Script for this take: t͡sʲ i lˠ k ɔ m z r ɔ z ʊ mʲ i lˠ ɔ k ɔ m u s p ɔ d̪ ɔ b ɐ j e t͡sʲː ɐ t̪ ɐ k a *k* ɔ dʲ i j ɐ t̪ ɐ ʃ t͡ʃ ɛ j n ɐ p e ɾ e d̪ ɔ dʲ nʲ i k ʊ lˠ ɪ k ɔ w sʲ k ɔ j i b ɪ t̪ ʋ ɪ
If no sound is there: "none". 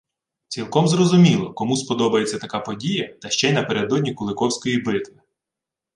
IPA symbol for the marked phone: p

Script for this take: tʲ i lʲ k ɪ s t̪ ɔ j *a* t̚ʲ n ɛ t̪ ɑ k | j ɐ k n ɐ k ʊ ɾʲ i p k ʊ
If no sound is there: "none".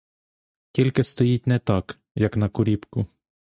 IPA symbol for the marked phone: i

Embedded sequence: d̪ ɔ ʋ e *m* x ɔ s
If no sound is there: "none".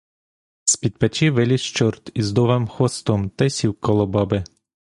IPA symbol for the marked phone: m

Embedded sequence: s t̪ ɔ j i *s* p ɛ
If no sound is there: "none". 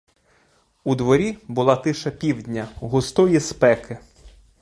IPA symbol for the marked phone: s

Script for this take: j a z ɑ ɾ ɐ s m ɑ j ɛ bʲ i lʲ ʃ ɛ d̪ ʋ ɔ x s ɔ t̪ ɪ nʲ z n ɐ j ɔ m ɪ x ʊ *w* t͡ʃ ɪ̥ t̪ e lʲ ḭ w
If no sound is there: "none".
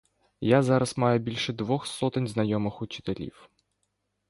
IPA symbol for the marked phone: none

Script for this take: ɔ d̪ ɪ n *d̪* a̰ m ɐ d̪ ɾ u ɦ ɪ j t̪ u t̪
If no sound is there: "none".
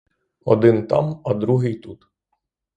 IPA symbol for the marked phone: t̪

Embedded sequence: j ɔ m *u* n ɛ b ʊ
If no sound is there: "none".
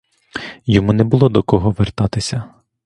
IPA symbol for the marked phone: u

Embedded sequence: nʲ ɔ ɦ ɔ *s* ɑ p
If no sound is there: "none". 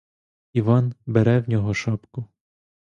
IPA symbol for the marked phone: ʃ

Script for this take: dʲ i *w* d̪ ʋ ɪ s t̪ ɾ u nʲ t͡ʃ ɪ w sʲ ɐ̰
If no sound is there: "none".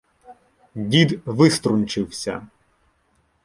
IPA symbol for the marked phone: none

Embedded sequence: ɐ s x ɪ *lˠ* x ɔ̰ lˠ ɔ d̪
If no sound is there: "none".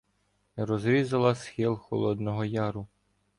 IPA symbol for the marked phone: lˠ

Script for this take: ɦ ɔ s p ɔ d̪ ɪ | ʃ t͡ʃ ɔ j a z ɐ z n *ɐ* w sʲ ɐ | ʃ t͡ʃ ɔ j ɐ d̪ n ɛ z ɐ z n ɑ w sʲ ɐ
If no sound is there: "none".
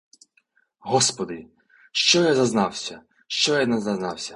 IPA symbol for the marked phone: ɑ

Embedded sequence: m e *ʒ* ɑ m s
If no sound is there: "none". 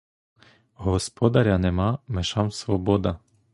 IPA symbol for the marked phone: ʃ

